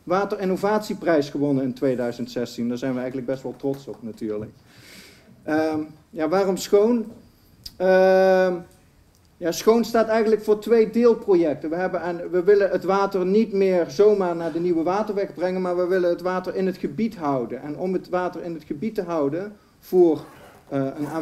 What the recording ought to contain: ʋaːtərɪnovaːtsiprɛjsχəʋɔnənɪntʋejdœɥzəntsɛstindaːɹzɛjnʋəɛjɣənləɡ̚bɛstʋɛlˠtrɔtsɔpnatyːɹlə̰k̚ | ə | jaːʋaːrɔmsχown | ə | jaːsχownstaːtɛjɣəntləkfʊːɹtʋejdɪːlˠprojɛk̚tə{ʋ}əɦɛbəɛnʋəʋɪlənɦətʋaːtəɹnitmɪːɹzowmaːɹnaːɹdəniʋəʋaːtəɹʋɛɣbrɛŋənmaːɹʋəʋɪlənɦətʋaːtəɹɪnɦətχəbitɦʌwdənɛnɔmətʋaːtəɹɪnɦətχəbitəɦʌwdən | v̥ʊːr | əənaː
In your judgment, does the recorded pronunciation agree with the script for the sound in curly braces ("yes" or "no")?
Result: yes